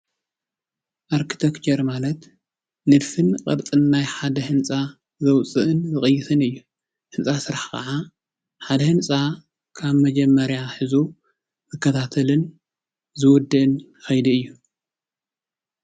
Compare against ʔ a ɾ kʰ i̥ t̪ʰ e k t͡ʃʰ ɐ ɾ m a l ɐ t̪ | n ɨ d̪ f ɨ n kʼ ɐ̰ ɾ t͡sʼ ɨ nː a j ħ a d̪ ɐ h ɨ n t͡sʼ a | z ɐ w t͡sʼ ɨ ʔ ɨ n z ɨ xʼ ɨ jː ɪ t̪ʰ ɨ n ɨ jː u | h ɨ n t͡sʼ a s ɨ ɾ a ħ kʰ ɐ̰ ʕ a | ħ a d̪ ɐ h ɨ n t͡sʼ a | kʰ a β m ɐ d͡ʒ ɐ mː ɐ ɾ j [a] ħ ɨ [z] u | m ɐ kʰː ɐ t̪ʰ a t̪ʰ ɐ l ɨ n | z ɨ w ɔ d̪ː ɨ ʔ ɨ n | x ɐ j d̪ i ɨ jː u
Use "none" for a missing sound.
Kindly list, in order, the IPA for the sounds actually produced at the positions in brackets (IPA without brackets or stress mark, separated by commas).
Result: a, z